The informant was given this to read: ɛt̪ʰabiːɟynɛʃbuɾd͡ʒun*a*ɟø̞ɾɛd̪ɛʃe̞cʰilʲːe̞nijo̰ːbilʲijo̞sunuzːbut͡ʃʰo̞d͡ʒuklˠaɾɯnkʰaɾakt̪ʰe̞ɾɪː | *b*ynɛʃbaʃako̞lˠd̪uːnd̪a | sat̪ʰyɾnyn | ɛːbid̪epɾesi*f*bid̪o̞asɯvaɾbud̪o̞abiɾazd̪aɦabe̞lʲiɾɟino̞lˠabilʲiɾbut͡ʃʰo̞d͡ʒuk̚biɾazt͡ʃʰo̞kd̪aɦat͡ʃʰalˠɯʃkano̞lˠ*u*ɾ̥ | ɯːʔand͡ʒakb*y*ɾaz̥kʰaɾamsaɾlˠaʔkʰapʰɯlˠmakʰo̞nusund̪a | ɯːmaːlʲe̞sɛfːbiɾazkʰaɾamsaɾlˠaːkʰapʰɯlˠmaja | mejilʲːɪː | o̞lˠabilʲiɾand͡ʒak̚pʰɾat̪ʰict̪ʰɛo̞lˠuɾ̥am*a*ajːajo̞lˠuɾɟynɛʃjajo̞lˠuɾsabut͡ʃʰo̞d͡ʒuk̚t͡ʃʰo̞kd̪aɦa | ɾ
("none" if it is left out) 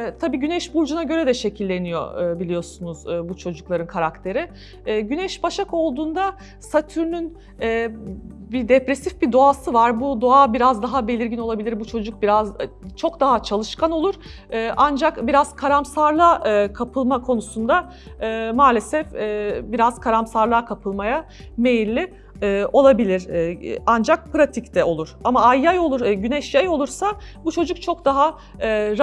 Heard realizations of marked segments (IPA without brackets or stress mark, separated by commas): a, ɟ, f, u, i, a